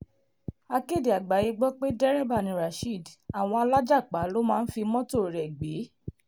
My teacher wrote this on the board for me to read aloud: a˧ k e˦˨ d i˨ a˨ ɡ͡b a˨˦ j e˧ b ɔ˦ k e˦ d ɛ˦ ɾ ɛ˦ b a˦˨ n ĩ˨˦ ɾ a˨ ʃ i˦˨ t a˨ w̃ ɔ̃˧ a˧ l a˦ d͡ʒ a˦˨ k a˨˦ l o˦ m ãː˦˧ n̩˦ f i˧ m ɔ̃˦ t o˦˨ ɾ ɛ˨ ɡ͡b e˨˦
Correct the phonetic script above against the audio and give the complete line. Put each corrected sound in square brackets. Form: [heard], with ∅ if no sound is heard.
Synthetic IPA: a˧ k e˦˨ d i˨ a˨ ɡ͡b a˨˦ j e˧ [ɡ͡b] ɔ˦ [k͡p] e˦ d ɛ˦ ɾ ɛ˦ b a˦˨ n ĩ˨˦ ɾ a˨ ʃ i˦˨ [d] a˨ w̃ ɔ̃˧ a˧ l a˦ d͡ʒ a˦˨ [k͡p] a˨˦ l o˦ m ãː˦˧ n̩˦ f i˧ m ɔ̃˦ t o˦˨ ɾ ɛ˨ ɡ͡b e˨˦